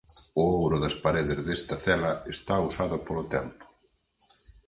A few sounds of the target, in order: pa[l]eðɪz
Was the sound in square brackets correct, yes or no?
no